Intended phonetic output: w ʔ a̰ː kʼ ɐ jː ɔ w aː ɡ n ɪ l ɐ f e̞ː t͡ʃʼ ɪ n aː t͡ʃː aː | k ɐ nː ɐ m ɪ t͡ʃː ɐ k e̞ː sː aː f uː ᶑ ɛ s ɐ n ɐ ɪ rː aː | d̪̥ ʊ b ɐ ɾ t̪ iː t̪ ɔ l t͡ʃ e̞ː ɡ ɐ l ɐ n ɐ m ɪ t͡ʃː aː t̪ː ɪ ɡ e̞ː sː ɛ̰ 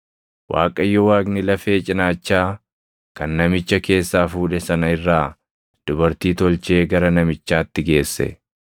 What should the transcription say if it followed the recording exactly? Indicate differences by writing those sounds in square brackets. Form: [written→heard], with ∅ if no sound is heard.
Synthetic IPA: w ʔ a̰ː kʼ ɐ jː ɔ w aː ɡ n ɪ l ɐ f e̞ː t͡ʃʼ ɪ n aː t͡ʃː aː | k ɐ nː ɐ m ɪ t͡ʃː ɐ k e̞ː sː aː f uː ᶑ ɛ s ɐ n ɐ ɪ rː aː | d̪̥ ʊ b ɐ ɾ t̪ iː t̪ ɔ l t͡ʃ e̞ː ɡ ɐ [l→ɾ] ɐ n ɐ m ɪ t͡ʃː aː t̪ː ɪ ɡ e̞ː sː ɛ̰